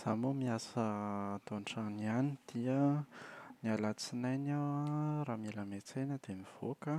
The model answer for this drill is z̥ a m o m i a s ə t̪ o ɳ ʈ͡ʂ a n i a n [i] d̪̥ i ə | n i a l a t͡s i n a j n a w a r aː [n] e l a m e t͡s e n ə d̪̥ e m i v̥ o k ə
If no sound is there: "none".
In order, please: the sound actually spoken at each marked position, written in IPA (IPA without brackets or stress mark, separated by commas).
i, m